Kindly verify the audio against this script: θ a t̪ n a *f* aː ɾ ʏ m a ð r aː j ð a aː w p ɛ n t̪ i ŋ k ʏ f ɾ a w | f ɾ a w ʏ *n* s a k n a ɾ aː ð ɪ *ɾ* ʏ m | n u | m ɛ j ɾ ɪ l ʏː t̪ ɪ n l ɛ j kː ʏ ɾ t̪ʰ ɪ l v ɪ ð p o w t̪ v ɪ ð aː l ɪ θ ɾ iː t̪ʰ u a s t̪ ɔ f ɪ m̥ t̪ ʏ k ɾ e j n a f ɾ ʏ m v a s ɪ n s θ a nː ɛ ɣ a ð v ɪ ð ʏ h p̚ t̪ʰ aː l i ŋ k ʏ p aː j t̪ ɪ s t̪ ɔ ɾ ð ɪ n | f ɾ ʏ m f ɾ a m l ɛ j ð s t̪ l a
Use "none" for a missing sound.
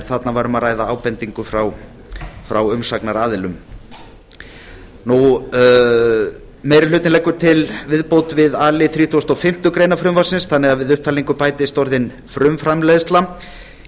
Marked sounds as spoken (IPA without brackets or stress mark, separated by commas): v, m, l